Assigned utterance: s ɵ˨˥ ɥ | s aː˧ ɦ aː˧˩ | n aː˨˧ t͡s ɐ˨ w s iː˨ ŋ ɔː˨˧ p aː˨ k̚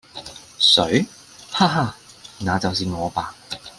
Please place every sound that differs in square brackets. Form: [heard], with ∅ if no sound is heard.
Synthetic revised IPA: s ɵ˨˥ ɥ | [h] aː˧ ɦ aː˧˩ | n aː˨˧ t͡s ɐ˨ w s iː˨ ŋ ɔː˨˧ p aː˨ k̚